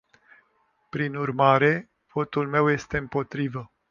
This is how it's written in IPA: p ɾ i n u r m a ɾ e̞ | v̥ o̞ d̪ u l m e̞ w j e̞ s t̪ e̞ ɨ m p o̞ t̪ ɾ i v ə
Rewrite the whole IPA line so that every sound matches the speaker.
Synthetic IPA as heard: p ɾ i n u r m a ɾ e̞ | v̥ o̞ t̪ u l m e̞ w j e̞ s t̪ e̞ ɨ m p o̞ t̪ ɾ i v ə